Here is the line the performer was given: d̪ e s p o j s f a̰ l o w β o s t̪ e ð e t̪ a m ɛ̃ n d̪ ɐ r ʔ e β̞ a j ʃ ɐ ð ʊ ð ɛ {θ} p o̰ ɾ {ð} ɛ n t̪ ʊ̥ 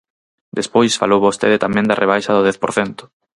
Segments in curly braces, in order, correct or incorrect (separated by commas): correct, incorrect